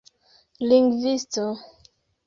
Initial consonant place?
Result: alveolar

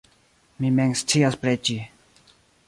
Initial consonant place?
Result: labial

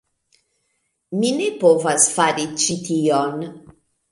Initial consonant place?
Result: labial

